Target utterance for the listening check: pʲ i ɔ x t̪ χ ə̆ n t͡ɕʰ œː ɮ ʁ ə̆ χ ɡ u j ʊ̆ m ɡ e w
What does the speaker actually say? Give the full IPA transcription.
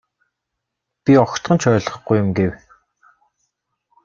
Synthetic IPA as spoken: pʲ i ɔ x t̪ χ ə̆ n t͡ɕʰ œː ɮ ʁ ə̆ χ ɡ u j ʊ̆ m ɡ e w